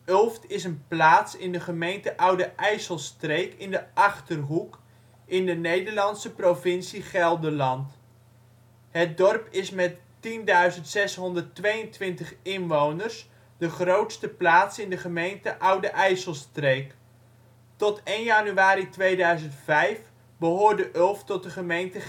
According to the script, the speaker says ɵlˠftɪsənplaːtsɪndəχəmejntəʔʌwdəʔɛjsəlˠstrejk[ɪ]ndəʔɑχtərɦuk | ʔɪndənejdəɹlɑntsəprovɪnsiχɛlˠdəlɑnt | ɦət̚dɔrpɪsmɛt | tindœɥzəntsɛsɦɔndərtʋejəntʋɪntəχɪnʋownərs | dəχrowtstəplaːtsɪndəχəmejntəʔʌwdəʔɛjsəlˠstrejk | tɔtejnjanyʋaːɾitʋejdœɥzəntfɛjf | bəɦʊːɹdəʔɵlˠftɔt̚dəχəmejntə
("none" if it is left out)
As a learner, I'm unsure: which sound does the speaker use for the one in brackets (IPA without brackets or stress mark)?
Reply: ɪ